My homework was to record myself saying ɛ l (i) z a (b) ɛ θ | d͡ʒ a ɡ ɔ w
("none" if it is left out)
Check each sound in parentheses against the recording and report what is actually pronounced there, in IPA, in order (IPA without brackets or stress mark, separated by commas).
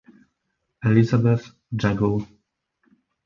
i, b